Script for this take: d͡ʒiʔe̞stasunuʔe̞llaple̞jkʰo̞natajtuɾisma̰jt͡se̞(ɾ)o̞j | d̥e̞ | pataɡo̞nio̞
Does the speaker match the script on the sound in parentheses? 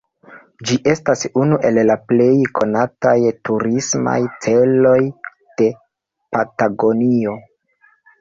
no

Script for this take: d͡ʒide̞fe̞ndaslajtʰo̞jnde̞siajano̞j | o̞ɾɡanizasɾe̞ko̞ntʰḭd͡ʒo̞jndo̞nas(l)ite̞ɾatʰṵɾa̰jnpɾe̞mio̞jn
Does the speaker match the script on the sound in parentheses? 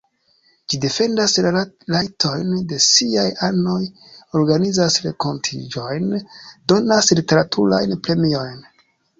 yes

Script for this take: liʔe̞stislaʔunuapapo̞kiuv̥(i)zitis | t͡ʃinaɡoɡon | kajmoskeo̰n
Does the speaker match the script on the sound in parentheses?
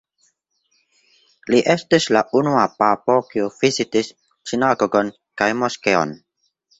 yes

